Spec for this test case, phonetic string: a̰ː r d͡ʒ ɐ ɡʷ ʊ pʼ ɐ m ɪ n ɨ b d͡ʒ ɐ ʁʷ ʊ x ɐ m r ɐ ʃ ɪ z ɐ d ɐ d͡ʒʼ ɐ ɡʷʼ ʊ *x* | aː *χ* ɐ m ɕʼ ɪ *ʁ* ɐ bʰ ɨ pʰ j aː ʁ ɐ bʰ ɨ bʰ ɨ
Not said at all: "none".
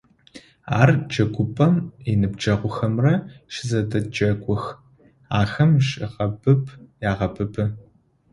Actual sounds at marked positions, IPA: x, x, ʁ

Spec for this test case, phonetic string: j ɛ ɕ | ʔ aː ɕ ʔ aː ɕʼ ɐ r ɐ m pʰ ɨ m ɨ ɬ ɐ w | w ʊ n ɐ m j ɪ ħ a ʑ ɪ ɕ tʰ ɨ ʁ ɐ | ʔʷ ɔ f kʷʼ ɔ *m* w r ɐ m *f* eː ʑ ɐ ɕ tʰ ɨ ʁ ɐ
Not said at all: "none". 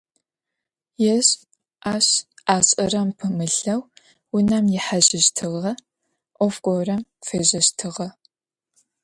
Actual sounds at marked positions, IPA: none, f

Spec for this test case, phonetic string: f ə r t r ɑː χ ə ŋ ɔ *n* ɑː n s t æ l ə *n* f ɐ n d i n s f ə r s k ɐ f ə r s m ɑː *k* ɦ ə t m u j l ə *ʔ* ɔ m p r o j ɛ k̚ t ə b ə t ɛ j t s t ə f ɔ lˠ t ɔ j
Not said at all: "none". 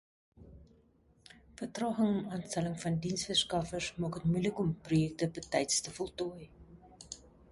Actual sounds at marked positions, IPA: m, ŋ, k, k

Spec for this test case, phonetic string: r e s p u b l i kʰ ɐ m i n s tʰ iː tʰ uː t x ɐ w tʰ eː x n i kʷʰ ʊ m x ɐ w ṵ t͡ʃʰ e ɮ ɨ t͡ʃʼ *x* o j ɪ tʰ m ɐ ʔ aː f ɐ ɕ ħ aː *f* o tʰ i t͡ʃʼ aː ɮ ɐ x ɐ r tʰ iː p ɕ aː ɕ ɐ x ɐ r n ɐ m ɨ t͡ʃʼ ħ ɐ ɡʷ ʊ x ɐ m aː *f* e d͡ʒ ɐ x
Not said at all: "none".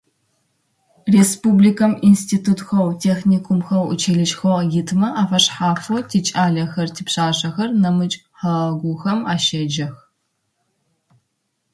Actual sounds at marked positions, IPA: x, f, ʃ

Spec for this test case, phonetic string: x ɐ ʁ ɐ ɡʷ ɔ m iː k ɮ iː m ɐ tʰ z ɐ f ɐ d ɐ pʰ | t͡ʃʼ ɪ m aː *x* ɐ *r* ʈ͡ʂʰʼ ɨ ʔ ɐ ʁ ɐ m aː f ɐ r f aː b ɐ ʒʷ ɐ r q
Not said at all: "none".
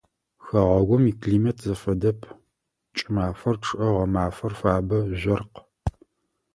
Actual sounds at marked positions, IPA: f, r

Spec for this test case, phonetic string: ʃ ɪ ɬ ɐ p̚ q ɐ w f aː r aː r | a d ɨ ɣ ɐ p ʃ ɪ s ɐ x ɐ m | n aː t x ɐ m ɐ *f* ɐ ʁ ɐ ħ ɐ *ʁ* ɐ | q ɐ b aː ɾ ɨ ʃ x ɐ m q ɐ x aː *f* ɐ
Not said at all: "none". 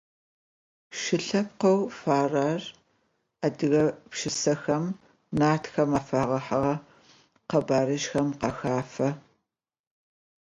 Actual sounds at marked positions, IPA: f, ʁ, f

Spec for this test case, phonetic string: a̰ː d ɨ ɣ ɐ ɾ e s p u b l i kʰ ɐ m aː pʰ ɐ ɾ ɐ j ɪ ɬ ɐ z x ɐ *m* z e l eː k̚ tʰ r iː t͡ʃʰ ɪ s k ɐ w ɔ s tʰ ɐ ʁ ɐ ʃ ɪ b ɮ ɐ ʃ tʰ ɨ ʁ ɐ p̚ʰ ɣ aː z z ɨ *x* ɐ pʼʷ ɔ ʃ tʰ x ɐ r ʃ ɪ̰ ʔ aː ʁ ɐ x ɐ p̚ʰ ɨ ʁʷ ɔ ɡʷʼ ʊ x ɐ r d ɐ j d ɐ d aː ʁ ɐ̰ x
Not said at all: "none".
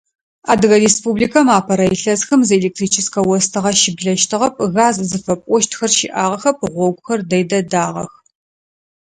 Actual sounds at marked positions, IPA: m, f

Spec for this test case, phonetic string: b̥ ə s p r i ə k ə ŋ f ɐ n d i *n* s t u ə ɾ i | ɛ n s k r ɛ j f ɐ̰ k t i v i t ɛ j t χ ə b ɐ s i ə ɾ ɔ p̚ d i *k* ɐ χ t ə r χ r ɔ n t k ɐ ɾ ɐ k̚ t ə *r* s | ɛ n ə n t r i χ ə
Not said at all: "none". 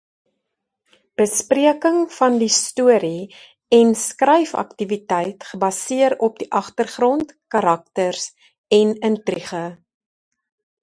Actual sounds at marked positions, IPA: none, ʔ, r

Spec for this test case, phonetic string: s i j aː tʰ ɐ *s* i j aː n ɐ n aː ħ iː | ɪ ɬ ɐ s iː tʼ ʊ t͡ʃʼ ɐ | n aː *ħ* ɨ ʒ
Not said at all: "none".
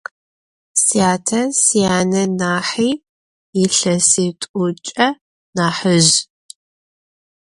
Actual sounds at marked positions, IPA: s, ħ

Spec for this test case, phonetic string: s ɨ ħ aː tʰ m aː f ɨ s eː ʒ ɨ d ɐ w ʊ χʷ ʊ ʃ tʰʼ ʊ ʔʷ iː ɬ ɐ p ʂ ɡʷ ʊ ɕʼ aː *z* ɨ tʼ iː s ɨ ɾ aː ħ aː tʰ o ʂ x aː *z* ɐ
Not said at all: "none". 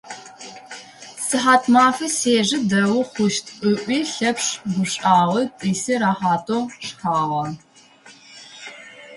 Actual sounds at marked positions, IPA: ʁ, ʁ

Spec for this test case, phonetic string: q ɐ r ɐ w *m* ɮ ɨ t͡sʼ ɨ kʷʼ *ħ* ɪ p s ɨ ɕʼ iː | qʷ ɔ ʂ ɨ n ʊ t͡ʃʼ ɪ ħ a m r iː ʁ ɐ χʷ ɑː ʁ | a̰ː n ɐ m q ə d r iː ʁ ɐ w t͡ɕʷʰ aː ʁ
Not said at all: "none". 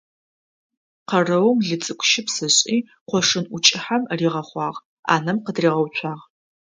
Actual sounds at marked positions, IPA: m, ʃ

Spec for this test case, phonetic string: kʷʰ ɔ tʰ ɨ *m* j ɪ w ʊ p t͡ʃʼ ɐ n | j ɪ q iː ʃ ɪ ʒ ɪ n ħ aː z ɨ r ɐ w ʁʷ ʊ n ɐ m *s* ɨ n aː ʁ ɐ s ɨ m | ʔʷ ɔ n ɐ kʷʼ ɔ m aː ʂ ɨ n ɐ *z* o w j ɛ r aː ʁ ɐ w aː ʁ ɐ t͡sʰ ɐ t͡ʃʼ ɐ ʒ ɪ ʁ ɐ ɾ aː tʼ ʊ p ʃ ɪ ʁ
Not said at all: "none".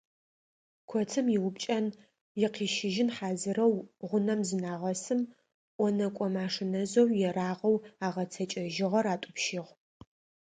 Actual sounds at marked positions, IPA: m, z, z

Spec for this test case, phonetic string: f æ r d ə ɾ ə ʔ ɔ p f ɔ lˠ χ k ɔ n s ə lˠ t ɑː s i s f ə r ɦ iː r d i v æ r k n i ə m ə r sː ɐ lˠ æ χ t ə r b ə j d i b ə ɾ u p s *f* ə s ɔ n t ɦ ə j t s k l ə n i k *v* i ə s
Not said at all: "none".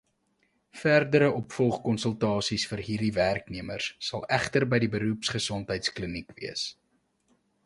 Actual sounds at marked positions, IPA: χ, v

